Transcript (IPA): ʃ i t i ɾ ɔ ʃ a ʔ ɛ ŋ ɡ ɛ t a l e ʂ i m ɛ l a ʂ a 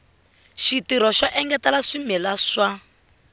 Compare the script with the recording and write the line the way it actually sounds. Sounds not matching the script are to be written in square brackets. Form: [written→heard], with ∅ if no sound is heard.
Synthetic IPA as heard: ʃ i t i ɾ ɔ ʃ a ʔ ɛ ŋ ɡ ɛ t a l [e→a] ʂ i m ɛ l a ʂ a